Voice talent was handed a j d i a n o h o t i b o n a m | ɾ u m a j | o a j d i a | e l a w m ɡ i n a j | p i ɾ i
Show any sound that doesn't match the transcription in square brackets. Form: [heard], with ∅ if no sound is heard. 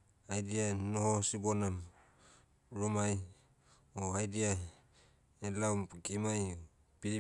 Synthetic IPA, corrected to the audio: a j d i a n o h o [s] i b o n a m | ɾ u m a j | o a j d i a | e l a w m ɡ i [m] a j | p i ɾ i